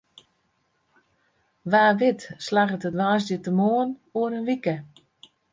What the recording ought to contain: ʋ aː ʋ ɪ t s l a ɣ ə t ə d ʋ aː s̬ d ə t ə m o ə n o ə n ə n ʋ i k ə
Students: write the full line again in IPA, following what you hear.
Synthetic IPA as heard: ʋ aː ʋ ɪ t s l a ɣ ə t ə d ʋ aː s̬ d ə t ə m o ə n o ə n ə n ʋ i k ə